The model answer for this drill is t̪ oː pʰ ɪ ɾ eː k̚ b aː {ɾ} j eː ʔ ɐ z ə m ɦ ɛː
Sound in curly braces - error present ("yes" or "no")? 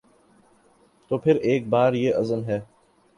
no